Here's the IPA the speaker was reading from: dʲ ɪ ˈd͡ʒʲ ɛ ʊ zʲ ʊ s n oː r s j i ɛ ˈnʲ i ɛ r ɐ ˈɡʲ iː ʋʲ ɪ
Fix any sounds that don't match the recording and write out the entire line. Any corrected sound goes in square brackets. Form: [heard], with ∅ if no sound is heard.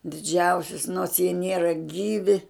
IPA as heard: dʲ ɪ ˈd͡ʒʲ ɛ ʊ [sʲ] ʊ s n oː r s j i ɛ ˈnʲ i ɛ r ɐ ˈɡʲ iː ʋʲ ɪ